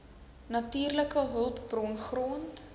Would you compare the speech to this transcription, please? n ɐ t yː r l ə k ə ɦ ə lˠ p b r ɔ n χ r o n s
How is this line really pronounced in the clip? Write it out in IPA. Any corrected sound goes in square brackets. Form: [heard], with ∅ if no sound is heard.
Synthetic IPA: n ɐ t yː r l ə k ə ɦ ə lˠ p b r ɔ n χ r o n [t]